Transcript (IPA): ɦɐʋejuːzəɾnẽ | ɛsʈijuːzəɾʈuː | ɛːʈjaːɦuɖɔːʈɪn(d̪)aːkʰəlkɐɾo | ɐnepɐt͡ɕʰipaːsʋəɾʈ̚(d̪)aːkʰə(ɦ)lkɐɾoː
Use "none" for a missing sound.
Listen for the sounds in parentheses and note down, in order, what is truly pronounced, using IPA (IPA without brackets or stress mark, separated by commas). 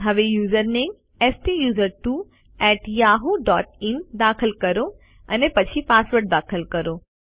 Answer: d̪, d̪, none